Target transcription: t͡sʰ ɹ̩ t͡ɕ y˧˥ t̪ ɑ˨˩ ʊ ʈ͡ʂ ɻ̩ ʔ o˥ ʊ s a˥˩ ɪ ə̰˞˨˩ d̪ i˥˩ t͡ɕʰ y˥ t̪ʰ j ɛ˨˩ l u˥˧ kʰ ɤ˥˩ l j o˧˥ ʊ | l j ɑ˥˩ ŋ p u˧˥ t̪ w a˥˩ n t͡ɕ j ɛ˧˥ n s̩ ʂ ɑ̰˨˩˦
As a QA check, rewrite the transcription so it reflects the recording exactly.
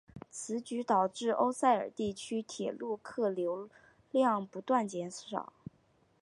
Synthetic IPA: t͡sʰ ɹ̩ t͡ɕ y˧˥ t̪ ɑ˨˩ ʊ ʈ͡ʂ ɻ̩ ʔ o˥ ʊ s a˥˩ ɪ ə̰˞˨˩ t̪ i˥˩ t͡ɕʰ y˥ t̪ʰ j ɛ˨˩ l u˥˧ kʰ ɤ˥˩ l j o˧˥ ʊ | l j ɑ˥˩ ŋ p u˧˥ t̪ w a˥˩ n t͡ɕ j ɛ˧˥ n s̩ ʂ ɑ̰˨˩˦